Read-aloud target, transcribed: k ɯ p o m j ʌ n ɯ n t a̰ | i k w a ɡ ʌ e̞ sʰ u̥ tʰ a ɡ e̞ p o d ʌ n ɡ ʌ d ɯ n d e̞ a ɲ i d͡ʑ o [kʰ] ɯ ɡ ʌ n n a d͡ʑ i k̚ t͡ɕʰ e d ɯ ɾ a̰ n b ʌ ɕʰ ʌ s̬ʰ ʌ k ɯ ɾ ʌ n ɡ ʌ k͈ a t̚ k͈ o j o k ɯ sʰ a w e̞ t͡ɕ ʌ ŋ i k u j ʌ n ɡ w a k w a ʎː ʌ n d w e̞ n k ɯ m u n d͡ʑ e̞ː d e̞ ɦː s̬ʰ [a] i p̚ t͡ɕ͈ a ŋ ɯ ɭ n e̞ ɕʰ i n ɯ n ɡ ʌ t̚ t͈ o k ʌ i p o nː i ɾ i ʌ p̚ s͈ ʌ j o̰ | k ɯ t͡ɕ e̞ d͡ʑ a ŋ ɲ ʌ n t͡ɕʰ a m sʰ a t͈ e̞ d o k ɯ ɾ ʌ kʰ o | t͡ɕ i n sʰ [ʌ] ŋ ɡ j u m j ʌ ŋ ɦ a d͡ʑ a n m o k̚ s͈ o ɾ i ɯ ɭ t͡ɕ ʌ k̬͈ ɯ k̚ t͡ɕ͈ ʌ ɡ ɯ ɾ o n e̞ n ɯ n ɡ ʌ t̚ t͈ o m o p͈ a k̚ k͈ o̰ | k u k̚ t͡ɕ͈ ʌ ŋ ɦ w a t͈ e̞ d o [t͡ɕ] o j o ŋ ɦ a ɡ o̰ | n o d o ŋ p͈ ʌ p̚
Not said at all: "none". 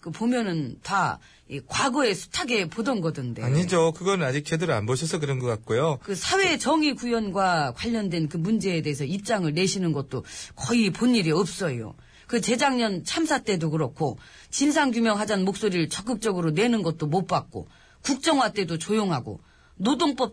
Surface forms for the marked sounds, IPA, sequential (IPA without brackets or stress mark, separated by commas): k, ʌ, a, t͡ɕ